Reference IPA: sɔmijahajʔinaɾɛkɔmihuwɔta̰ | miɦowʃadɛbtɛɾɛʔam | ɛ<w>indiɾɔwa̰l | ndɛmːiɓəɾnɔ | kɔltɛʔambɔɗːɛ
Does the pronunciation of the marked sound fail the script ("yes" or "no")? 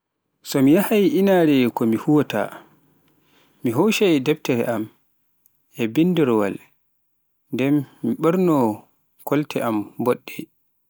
yes